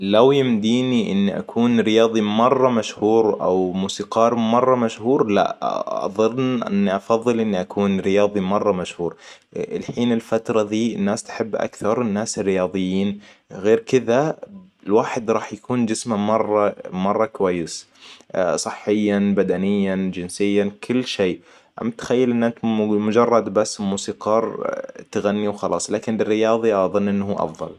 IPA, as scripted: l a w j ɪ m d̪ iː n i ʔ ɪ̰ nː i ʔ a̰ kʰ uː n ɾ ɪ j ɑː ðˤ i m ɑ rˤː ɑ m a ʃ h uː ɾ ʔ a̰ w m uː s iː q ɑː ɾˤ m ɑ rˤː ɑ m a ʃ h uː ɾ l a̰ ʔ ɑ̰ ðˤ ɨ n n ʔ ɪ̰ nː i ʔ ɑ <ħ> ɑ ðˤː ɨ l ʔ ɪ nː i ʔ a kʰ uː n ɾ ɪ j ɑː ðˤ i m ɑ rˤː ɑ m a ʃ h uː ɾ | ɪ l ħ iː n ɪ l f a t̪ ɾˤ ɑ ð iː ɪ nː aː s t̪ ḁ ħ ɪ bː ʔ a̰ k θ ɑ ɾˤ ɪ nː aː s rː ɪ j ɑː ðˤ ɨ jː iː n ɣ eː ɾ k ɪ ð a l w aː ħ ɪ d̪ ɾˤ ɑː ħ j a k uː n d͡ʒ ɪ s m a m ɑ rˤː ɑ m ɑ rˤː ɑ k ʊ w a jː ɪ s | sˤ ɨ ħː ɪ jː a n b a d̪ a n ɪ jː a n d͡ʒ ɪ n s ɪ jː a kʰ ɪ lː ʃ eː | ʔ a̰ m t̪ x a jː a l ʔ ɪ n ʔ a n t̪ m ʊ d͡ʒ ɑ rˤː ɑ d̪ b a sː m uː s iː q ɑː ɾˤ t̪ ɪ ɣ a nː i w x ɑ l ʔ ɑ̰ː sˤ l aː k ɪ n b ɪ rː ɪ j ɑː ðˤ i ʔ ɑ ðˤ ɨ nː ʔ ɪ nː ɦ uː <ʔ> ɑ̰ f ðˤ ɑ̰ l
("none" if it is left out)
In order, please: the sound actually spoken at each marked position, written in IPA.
f, ʔ

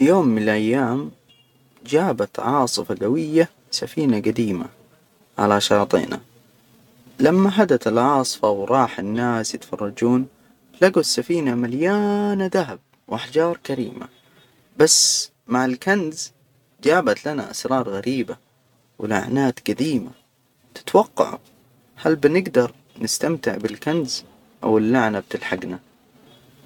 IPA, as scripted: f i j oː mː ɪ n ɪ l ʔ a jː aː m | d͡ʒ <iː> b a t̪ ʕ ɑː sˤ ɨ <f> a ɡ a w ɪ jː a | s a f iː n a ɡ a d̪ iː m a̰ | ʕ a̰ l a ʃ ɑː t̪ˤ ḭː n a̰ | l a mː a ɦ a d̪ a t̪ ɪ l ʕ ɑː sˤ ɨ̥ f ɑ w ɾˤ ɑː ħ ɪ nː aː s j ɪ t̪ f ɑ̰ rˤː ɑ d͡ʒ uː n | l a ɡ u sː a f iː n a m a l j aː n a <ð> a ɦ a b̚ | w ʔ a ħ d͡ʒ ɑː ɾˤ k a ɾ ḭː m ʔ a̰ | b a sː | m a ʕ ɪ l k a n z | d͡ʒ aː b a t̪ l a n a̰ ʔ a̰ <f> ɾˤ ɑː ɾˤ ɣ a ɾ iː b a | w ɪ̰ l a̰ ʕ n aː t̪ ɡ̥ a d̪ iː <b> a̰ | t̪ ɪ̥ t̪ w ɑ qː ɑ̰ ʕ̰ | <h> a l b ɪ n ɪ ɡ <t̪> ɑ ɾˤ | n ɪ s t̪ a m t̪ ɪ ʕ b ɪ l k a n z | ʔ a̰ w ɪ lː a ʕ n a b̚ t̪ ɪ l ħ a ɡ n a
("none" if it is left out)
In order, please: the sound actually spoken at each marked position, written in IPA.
aː, f, ð, s, m, h, d̪

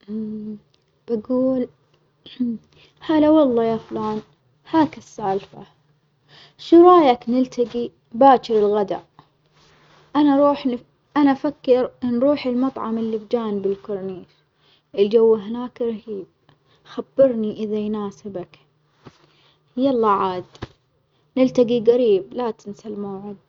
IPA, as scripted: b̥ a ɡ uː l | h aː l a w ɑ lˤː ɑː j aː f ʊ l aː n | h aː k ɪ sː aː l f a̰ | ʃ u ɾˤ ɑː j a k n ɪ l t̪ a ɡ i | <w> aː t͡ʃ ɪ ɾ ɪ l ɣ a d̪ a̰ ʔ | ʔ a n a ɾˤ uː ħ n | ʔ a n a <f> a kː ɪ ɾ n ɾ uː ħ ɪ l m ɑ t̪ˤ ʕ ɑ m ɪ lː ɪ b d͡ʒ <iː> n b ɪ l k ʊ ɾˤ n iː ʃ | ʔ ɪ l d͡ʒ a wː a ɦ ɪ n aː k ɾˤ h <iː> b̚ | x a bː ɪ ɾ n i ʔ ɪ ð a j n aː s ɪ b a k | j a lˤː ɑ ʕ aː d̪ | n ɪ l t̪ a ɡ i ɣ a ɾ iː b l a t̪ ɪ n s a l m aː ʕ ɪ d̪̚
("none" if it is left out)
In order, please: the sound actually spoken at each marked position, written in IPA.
b, f, aː, iː

